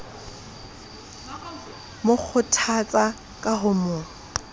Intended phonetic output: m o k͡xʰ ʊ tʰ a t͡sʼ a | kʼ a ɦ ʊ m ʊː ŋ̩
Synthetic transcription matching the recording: m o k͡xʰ ʊ tʰ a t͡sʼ a | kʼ a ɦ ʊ m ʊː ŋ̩